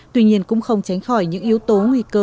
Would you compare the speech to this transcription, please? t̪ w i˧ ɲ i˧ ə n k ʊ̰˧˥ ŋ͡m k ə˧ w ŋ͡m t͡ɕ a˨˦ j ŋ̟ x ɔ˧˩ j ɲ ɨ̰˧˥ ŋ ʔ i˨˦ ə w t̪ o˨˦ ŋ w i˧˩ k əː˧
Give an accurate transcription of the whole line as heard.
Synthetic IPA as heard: t̪ w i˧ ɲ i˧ ə n k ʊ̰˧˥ ŋ͡m x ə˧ w ŋ͡m t͡ɕ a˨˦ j ŋ̟ x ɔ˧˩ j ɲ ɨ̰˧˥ ŋ ʔ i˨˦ ə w t̪ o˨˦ ŋ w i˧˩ k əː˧